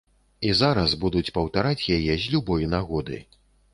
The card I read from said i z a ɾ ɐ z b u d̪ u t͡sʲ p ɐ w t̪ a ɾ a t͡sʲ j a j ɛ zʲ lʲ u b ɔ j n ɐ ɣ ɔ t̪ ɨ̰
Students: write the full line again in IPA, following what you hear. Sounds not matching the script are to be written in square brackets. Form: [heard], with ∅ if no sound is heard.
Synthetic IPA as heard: i z a ɾ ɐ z b u d̪ u t͡sʲ p ɐ w t̪ a ɾ a t͡sʲ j a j ɛ zʲ lʲ u b ɔ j n [a] ɣ ɔ [d̪] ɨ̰